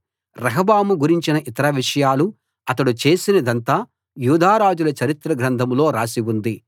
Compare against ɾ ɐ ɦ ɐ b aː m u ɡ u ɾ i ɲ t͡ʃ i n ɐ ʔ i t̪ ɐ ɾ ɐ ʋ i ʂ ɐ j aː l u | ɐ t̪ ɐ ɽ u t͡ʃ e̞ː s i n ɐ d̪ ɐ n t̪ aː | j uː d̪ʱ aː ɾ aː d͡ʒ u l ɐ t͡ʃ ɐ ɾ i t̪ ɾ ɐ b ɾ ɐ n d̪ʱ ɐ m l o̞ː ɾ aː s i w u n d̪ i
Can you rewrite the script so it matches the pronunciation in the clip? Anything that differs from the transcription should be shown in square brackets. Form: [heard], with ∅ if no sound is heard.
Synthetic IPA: ɾ ɐ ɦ ɐ b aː m u ɡ u ɾ i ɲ t͡ʃ i n ɐ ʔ i t̪ ɐ ɾ ɐ ʋ i ʂ ɐ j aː l u | ɐ t̪ ɐ ɽ u t͡ʃ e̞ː s i n ɐ d̪ ɐ n t̪ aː | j uː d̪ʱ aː ɾ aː d͡ʒ u l ɐ t͡ʃ ɐ ɾ i t̪ ɾ ɐ [ɡ] ɾ ɐ n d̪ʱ ɐ m l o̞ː ɾ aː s i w u n d̪ i